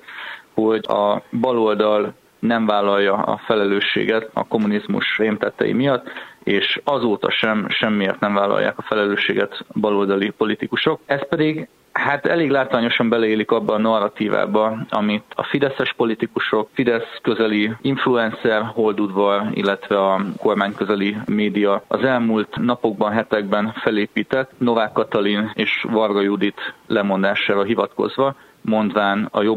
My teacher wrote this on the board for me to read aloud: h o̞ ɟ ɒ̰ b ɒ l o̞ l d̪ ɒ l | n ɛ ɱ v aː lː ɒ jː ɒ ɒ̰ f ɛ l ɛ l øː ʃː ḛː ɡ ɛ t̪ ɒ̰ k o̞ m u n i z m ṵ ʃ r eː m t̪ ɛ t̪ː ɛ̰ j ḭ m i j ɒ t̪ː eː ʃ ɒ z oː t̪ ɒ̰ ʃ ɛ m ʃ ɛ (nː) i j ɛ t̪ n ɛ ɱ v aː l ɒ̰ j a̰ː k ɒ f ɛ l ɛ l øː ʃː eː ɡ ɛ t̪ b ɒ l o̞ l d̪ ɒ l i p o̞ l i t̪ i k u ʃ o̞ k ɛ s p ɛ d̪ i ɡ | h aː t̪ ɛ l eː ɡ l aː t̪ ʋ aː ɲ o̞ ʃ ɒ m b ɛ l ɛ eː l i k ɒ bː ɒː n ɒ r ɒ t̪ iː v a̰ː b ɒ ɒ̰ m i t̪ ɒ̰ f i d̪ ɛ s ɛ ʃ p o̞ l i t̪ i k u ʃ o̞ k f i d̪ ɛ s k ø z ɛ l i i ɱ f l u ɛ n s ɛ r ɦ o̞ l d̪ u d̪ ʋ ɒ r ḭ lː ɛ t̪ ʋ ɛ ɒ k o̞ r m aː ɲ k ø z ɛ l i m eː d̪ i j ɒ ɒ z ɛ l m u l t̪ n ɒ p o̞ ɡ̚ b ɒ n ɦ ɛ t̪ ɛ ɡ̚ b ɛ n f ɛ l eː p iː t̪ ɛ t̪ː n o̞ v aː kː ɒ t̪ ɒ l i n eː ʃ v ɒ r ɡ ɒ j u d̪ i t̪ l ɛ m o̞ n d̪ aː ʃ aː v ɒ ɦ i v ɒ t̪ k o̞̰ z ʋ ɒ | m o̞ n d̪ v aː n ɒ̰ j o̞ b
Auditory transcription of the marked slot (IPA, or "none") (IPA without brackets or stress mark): mː